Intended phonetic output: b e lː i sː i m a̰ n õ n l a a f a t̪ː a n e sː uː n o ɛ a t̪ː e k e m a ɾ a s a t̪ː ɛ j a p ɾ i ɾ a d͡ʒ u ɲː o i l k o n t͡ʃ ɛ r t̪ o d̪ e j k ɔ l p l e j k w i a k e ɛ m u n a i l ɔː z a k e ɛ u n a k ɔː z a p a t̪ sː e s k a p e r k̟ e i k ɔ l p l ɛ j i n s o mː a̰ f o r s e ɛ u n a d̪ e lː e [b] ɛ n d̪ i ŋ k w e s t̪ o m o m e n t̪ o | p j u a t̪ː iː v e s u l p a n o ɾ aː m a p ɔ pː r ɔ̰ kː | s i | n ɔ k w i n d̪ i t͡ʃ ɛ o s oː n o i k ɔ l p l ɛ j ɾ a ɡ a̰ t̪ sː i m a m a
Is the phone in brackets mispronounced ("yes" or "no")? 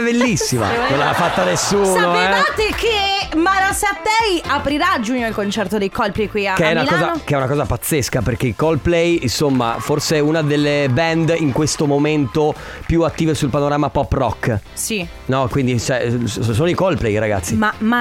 no